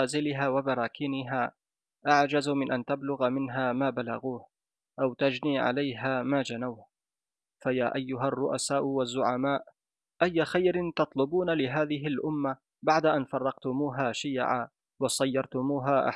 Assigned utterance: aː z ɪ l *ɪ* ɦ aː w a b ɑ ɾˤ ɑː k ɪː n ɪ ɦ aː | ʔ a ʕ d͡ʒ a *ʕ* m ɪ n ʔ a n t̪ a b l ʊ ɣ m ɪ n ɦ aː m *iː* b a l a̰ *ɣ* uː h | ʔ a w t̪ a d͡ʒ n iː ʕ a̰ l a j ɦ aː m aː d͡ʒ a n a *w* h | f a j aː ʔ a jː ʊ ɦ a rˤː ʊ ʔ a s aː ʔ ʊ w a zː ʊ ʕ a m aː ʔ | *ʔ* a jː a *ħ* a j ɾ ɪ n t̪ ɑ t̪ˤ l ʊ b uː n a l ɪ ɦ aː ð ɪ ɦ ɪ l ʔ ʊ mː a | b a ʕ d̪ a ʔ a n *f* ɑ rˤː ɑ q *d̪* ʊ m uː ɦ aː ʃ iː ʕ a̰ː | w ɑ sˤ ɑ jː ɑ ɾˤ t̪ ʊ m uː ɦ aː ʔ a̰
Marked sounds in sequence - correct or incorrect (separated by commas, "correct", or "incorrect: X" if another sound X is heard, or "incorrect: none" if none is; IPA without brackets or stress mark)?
correct, incorrect: z, incorrect: aː, correct, correct, correct, incorrect: x, correct, incorrect: t̪